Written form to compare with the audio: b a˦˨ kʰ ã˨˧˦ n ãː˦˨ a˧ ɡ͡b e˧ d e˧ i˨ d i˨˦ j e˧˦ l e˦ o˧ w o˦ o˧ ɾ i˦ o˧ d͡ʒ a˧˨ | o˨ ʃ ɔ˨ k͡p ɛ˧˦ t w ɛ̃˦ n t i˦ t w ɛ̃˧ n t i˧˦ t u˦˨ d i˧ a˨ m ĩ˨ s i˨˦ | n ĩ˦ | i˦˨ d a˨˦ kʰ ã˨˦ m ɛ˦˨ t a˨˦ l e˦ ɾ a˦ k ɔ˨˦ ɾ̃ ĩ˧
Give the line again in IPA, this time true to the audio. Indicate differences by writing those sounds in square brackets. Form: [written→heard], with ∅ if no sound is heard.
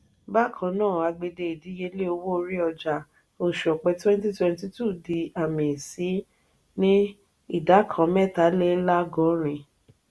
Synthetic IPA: b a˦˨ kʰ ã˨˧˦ n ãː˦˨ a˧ ɡ͡b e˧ d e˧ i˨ d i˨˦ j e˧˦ l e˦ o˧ w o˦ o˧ ɾ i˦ [o˧→ɔ˧] d͡ʒ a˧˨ | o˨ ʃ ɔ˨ k͡p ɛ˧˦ t w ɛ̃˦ n t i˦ t w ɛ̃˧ n t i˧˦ t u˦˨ d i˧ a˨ m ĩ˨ s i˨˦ | n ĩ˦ | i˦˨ d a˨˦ kʰ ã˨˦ m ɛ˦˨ t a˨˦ l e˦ [ɾ→l] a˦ [k→ɡ] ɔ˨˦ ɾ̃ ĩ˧